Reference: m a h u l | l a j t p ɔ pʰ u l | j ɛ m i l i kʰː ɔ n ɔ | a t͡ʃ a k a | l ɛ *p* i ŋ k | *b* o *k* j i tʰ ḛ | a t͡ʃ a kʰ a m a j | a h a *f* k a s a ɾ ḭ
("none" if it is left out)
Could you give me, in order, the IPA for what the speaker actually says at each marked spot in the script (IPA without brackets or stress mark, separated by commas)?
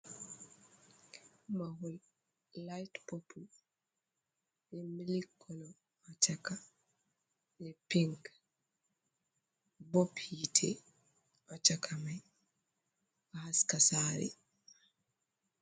p, b, p, s